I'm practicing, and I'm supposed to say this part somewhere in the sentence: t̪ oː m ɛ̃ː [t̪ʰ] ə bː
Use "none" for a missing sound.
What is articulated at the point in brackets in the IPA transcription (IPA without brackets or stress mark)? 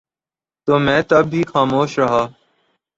t̪